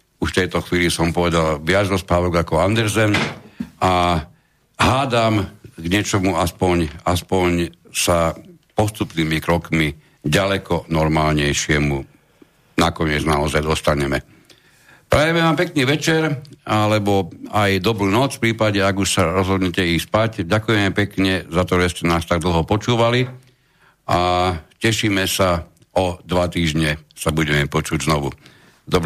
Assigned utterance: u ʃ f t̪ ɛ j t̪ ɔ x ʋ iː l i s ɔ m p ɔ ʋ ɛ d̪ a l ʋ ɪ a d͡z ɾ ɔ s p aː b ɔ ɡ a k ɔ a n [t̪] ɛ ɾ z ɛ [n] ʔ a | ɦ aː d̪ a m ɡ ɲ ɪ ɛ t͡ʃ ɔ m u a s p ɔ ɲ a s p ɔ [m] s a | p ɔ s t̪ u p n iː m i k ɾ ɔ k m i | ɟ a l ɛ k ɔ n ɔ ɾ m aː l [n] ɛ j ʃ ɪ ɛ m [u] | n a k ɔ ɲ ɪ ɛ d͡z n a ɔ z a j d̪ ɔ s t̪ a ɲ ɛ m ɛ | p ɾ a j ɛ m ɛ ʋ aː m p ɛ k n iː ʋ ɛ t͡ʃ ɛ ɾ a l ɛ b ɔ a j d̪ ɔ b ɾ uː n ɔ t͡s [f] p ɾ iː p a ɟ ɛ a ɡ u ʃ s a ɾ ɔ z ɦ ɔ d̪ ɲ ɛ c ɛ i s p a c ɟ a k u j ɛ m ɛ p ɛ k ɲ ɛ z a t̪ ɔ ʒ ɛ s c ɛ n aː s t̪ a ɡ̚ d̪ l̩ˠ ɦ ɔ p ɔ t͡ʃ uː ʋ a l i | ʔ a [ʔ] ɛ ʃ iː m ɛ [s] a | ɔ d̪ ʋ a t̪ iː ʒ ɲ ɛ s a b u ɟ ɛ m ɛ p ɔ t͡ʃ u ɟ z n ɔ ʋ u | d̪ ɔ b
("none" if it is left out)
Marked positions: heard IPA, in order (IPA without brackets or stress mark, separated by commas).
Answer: d̪, n, ɲ, ɲ, u, f, c, s